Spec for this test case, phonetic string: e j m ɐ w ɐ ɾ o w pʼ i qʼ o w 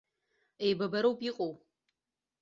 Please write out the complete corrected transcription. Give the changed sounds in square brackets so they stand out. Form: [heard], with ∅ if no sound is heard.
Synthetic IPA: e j [b] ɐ [b] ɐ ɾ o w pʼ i qʼ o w